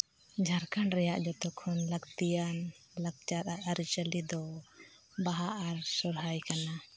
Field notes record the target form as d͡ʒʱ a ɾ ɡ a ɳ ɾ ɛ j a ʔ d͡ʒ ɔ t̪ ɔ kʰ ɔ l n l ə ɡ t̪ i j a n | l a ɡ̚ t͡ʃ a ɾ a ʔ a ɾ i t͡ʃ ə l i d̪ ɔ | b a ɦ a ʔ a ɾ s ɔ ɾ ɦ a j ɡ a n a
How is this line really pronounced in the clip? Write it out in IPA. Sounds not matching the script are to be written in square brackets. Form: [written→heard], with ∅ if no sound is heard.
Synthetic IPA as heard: d͡ʒʱ a ɾ [ɡ→k] a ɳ ɾ ɛ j a ʔ d͡ʒ ɔ t̪ ɔ kʰ ɔ [l→∅] n l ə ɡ t̪ i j a n | l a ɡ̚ t͡ʃ a ɾ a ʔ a ɾ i t͡ʃ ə l i d̪ ɔ | b a ɦ a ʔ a ɾ s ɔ ɾ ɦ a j [ɡ→k] a n a